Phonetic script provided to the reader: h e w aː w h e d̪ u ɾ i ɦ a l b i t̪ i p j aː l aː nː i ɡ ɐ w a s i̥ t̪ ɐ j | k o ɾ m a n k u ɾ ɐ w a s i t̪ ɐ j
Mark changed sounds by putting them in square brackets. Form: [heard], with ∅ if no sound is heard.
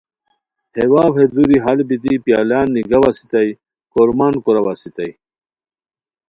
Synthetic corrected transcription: h e w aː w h e d̪ u ɾ i ɦ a l b i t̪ i p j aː l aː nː i ɡ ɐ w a s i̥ t̪ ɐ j | k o ɾ m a n k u ɾ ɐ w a s i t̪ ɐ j